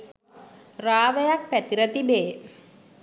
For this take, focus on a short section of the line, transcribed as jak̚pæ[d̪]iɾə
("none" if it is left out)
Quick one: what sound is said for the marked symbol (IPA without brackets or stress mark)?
t̪